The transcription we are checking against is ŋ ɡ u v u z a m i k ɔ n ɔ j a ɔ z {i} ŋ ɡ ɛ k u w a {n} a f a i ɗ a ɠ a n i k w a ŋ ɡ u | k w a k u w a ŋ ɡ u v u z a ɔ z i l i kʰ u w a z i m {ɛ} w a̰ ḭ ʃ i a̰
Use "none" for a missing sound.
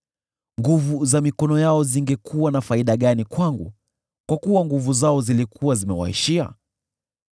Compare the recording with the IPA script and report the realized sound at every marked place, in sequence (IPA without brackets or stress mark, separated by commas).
i, n, ɛ